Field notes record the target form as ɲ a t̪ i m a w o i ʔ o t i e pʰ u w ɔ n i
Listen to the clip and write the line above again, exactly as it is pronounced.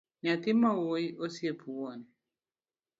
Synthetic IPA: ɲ a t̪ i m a w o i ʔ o s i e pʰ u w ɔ n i